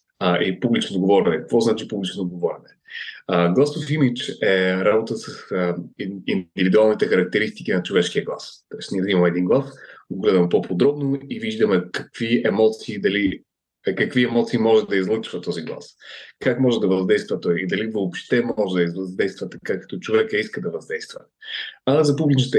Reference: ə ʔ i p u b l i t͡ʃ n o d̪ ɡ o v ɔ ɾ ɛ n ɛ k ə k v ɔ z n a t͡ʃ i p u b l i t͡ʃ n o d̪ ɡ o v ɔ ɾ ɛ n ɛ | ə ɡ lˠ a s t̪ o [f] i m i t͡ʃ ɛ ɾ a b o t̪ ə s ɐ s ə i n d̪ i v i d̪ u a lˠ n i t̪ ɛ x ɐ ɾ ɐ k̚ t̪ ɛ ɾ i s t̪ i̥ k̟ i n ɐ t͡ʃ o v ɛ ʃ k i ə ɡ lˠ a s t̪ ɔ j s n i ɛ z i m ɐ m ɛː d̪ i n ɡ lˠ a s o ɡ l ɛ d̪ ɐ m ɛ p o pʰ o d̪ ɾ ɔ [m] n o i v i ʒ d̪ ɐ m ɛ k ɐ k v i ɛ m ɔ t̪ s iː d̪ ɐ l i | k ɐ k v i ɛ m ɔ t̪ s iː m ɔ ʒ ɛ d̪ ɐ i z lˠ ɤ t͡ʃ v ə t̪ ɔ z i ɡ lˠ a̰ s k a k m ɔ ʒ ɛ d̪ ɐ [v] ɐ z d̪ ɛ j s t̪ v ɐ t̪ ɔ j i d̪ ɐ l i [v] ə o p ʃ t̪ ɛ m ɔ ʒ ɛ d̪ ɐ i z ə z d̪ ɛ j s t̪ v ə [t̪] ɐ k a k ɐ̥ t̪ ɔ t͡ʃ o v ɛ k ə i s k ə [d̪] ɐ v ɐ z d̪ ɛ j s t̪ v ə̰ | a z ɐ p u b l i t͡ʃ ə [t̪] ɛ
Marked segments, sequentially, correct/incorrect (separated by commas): correct, incorrect, correct, correct, correct, correct, correct